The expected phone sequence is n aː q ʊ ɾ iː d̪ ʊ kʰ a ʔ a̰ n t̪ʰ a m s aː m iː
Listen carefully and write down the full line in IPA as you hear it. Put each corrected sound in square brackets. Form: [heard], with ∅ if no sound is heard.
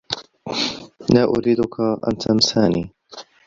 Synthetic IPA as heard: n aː [ʔ] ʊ ɾ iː d̪ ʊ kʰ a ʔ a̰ n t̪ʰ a m s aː [n] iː

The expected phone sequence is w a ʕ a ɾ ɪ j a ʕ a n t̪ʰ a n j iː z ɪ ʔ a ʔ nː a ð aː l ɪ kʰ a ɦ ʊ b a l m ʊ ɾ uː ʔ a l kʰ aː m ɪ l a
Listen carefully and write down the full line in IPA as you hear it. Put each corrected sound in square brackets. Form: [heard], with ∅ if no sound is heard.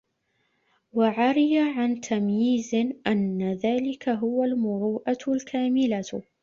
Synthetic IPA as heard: w a ʕ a ɾ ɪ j a ʕ a n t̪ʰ a [m] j iː z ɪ ʔ a [∅] nː a ð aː l ɪ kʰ a ɦ ʊ [w] a l m ʊ ɾ uː ʔ a l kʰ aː m ɪ l a

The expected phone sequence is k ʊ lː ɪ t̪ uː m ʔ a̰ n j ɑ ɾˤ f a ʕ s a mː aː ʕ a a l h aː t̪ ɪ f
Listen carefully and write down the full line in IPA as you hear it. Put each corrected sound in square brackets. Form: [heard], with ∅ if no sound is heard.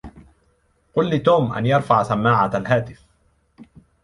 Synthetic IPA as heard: [q] ʊ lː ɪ t̪ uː m ʔ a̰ n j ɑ ɾˤ f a ʕ s a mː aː ʕ a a l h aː t̪ ɪ f

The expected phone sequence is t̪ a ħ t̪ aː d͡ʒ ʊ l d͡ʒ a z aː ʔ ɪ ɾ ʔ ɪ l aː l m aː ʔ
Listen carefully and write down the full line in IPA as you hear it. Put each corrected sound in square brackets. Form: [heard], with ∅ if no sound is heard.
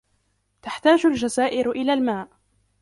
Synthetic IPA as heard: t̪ a ħ t̪ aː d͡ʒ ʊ l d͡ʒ a z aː ʔ ɪ ɾ ʔ ɪ l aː l m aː ʔ

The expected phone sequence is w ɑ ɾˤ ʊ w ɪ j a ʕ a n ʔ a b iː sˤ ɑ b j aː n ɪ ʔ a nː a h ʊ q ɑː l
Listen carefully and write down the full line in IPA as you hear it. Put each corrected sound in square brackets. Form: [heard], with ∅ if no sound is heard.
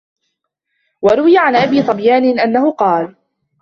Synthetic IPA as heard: w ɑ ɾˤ ʊ w ɪ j a ʕ a n ʔ a b iː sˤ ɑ b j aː n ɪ ʔ a nː a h ʊ q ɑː l

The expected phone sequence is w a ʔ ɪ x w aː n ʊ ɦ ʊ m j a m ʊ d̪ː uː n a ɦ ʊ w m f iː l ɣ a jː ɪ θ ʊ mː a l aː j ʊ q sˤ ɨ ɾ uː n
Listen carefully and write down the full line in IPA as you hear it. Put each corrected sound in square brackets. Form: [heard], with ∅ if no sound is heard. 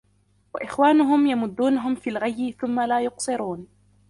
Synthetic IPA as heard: w a ʔ ɪ x w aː n ʊ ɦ ʊ m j a m ʊ d̪ː uː n a ɦ ʊ [∅] m f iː l ɣ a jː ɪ θ ʊ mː a l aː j ʊ q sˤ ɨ ɾ uː n

